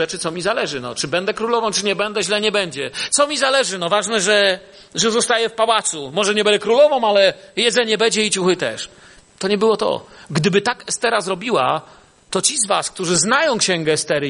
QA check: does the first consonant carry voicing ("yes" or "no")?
no